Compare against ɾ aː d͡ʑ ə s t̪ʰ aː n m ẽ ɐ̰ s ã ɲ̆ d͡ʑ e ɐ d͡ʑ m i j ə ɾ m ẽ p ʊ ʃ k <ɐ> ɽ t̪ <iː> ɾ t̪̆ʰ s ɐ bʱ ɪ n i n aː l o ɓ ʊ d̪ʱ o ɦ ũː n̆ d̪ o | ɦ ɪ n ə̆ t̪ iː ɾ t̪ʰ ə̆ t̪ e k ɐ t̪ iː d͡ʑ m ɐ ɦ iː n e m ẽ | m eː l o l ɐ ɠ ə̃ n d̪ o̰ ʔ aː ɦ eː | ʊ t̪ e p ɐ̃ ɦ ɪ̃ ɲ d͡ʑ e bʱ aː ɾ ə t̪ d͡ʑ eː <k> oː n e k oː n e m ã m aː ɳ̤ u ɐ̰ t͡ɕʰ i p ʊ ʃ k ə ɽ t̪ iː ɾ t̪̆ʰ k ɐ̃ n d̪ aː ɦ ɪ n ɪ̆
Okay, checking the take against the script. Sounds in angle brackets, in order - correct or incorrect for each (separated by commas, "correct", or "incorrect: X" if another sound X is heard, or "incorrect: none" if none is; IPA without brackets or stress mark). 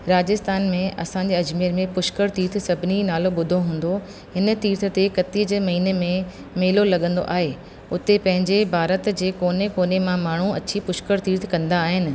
incorrect: ə, correct, correct